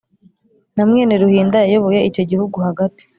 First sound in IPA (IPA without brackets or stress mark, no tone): n